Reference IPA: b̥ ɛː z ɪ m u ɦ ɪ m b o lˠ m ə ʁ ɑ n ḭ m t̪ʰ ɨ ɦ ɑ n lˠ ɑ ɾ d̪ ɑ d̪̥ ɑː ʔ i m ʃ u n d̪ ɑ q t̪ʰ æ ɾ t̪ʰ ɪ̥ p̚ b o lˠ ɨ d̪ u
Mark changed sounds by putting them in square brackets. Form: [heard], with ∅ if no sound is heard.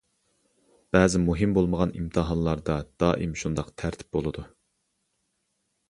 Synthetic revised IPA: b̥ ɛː z ɪ m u ɦ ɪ m b o lˠ m ə ʁ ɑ n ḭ m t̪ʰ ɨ ɦ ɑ n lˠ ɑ ɾ d̪ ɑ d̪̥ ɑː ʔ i m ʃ u n d̪ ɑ q t̪ʰ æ ɾ t̪ʰ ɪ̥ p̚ b o lˠ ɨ d̪ u